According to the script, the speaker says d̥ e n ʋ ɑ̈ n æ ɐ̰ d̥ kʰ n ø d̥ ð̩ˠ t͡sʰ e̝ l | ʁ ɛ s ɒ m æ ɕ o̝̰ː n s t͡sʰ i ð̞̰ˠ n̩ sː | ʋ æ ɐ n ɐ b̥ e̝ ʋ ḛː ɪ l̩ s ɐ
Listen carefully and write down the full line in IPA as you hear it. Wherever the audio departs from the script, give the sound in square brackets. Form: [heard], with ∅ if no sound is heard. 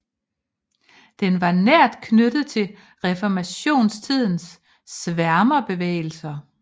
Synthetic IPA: d̥ e n ʋ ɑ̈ n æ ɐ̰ d̥ kʰ n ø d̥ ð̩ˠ t͡sʰ e̝ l | ʁ ɛ [f] ɒ m æ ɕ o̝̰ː n s t͡sʰ i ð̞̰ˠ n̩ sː | ʋ æ ɐ [m] ɐ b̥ e̝ ʋ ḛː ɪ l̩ s ɐ